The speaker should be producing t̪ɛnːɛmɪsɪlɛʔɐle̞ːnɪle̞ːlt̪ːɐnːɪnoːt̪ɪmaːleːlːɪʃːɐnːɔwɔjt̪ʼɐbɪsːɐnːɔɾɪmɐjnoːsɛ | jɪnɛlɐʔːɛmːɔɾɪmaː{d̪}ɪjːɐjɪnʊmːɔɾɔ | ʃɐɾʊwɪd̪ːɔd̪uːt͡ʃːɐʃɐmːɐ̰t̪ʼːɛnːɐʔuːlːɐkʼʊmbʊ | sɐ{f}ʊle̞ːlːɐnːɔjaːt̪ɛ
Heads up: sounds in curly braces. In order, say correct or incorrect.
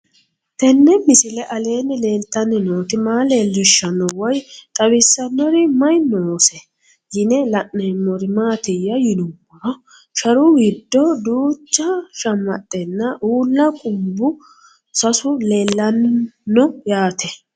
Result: incorrect: t̪, incorrect: s

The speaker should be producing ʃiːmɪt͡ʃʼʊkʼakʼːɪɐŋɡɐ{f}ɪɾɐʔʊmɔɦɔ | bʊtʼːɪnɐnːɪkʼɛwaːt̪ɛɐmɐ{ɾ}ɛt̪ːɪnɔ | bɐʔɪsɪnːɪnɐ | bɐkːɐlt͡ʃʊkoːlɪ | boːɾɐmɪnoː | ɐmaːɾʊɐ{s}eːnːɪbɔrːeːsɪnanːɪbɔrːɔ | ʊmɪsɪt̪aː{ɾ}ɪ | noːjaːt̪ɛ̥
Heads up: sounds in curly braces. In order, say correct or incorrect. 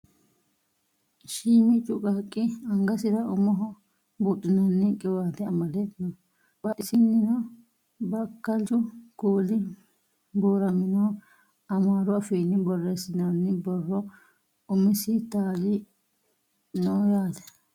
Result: incorrect: s, incorrect: l, incorrect: f, incorrect: l

